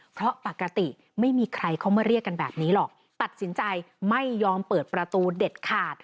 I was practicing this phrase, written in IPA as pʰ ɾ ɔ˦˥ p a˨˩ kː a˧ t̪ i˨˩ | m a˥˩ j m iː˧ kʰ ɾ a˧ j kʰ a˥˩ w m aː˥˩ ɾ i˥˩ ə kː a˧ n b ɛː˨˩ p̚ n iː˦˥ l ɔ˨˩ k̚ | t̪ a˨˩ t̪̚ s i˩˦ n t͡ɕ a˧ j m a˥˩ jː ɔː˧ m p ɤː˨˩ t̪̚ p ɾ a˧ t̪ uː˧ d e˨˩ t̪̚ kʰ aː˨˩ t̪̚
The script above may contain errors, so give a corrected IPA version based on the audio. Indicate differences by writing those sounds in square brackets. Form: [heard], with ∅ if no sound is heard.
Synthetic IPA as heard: pʰ ɾ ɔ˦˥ p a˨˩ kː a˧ t̪ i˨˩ | m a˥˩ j m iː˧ kʰ ɾ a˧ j kʰ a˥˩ w m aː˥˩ ɾ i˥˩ ə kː a˧ n b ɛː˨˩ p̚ n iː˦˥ l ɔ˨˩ k̚ | t̪ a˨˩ t̪̚ s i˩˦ n t͡ɕ a˧ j m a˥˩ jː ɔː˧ m p ɤː˨˩ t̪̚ p ɾ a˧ t̪ uː˧ d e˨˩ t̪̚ kʰ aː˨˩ t̪̚